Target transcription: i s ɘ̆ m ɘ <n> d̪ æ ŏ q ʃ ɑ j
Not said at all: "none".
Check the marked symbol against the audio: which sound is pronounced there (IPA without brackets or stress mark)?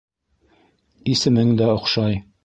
ŋ